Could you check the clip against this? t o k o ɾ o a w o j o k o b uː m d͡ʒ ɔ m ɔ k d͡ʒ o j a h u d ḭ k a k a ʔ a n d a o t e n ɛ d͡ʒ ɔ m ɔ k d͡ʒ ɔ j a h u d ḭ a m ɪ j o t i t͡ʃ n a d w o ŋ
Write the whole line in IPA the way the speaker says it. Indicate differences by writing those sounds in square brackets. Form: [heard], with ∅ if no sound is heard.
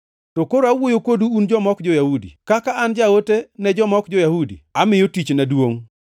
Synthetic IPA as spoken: t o k o ɾ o a w o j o k o [d] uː [n] d͡ʒ ɔ m ɔ k d͡ʒ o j a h u d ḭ k a k a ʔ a n [d͡ʒ] a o t e n ɛ d͡ʒ ɔ m ɔ k d͡ʒ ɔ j a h u d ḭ a m ɪ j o t i t͡ʃ n a d w o ŋ